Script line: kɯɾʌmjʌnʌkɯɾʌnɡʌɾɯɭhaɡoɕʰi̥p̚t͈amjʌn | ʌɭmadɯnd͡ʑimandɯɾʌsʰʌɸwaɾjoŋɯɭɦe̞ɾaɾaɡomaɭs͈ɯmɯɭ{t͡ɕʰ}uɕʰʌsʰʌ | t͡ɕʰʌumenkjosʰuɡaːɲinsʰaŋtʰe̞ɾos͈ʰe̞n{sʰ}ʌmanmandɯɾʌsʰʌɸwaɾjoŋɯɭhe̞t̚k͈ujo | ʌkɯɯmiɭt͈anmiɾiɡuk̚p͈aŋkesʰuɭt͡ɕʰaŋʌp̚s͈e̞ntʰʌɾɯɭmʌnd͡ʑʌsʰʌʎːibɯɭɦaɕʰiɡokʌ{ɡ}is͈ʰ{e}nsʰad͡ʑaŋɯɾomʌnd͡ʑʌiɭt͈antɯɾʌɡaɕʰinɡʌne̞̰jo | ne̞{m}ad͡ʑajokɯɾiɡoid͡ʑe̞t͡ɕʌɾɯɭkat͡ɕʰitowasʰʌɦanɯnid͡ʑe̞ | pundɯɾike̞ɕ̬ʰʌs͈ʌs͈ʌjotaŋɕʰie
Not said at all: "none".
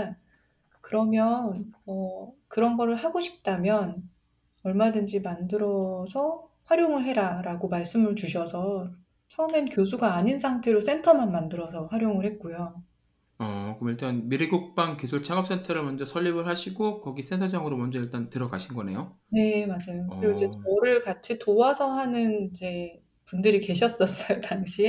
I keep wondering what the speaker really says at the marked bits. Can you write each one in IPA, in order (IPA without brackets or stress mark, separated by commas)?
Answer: t͡ɕ, tʰ, ɡ, e, m